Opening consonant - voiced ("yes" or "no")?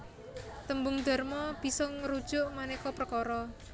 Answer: no